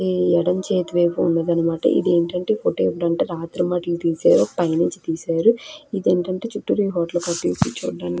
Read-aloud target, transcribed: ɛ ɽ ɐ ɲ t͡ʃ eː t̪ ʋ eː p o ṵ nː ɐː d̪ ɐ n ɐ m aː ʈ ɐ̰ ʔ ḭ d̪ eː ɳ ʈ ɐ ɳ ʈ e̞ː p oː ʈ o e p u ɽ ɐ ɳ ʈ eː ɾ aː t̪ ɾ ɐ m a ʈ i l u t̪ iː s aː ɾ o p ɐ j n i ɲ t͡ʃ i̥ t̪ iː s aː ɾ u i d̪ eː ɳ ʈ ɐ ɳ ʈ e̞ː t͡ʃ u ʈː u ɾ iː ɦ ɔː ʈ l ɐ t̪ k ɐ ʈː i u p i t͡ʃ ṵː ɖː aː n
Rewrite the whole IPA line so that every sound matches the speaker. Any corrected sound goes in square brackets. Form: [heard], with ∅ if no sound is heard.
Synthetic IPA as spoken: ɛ ɽ ɐ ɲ t͡ʃ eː t̪ ʋ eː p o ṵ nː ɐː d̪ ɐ n ɐ m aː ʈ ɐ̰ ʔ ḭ d̪ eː ɳ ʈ ɐ ɳ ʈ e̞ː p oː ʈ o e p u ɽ ɐ ɳ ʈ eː ɾ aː t̪ ɾ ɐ m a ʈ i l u t̪ iː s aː ɾ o p ɐ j n i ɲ t͡ʃ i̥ t̪ iː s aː ɾ u i d̪ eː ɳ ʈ ɐ ɳ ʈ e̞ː t͡ʃ u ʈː u ɾ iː ɦ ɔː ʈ l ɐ [∅] k ɐ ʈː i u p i t͡ʃ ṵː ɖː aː n

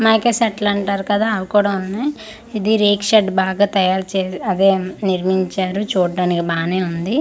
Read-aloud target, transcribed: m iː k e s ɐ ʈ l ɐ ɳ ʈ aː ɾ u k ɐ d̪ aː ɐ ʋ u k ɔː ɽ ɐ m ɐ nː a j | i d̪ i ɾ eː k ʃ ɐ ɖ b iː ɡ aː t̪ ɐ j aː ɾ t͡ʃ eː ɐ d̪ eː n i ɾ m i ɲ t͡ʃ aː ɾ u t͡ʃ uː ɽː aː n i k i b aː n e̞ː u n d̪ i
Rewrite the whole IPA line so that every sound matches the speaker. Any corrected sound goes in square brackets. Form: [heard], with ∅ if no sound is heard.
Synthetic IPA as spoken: m [aː] k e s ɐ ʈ l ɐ ɳ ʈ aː ɾ u k ɐ d̪ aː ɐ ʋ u k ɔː ɽ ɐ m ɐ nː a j | i d̪ i ɾ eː k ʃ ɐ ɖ b [aː] ɡ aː t̪ ɐ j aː ɾ t͡ʃ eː ɐ d̪ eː n i ɾ m i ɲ t͡ʃ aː ɾ u t͡ʃ uː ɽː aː n i k i b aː n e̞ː u n d̪ i

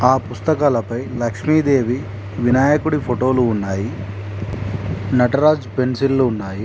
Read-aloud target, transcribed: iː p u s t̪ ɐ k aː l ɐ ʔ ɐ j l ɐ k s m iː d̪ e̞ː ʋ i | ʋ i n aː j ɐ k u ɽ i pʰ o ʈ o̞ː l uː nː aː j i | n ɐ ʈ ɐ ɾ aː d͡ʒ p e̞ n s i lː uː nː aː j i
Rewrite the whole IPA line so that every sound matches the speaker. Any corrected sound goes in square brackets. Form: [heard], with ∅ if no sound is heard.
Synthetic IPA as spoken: [aː] p u s t̪ ɐ k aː l ɐ [p] ɐ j l ɐ k [ʂ] m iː d̪ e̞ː ʋ i | ʋ i n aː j ɐ k u ɽ i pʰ o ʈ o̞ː l uː nː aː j i | n ɐ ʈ ɐ ɾ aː d͡ʒ p e̞ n s i lː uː nː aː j i

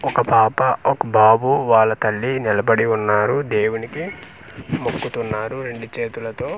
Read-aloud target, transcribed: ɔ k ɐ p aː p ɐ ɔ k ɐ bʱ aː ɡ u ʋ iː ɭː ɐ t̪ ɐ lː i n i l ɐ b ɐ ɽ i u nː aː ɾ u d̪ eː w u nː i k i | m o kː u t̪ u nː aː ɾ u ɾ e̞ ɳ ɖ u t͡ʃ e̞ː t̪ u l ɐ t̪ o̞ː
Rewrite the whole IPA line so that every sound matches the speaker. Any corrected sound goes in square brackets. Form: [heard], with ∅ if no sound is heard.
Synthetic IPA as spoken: ɔ k ɐ p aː p ɐ ɔ k ɐ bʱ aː [b] u ʋ [aː] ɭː ɐ t̪ ɐ lː i n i l ɐ b ɐ ɽ i u nː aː ɾ u d̪ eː w u [n] i k i | m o kː u t̪ u nː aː ɾ u ɾ e̞ ɳ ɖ u t͡ʃ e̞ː t̪ u l ɐ t̪ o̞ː

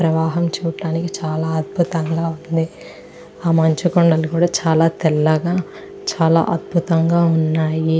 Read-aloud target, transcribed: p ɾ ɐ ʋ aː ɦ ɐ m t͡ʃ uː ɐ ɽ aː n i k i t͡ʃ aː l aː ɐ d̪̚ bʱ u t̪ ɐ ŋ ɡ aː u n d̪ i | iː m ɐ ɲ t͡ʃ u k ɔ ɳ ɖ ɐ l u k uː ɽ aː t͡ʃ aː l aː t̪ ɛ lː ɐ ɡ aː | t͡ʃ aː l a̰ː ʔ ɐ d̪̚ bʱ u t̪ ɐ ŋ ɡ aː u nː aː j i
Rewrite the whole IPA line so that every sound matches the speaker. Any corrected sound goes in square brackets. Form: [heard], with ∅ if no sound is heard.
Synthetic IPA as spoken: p ɾ ɐ ʋ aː ɦ ɐ m t͡ʃ uː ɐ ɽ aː n i k i t͡ʃ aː l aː ɐ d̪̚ bʱ u t̪ ɐ ŋ ɡ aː u n d̪ i | [aː] m ɐ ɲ t͡ʃ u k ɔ ɳ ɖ ɐ l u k uː ɽ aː t͡ʃ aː l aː t̪ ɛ lː ɐ ɡ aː | t͡ʃ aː l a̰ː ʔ ɐ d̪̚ bʱ u t̪ ɐ ŋ ɡ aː u nː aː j i

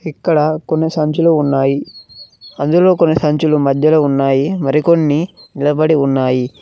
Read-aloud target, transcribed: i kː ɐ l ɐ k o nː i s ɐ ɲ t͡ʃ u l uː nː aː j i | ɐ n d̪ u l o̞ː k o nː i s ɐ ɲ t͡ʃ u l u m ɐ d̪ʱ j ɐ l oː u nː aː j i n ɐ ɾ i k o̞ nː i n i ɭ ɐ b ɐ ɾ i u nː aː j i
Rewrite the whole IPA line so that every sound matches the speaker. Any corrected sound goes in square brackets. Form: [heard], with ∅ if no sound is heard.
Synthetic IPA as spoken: i kː ɐ [ɽ] ɐ k o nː i s ɐ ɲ t͡ʃ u l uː nː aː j i | ɐ n d̪ u l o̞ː k o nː i s ɐ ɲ t͡ʃ u l u m ɐ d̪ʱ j ɐ l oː u nː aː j i [m] ɐ ɾ i k o̞ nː i n i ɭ ɐ b ɐ [ɽ] i u nː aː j i

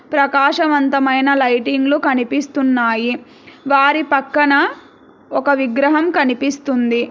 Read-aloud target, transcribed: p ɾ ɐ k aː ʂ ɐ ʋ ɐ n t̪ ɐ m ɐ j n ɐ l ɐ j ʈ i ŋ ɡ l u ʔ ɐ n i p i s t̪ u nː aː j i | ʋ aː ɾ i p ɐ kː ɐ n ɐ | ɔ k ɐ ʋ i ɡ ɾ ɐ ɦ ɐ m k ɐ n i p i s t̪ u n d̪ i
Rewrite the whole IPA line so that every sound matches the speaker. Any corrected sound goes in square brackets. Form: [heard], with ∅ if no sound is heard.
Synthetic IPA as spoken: p ɾ ɐ k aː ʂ ɐ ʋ ɐ n t̪ ɐ m ɐ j n ɐ l ɐ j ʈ i ŋ ɡ l u [k] ɐ n i p i s t̪ u nː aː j i | ʋ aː ɾ i p ɐ kː ɐ n ɐ | ɔ k ɐ ʋ i ɡ ɾ ɐ ɦ ɐ m k ɐ n i p i s t̪ u n d̪ i

